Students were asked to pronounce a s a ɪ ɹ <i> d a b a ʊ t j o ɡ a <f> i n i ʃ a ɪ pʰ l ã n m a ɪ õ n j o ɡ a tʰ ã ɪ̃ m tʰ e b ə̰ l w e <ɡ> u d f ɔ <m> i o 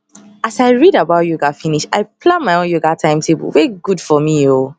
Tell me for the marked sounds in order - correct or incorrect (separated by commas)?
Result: correct, correct, correct, correct